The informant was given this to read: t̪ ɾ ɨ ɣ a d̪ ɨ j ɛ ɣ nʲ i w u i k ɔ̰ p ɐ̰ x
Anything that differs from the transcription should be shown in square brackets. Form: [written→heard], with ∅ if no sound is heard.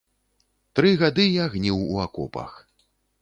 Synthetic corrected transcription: t̪ ɾ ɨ ɣ a d̪ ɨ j [ɛ→a] ɣ nʲ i w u [i→a] k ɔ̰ p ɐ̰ x